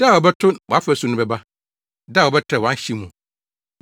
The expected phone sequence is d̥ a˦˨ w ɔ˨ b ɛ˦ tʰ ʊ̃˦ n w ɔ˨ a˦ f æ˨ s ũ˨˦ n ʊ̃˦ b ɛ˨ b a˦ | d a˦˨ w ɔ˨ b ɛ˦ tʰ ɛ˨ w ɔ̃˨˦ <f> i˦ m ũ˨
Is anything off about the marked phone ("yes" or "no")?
yes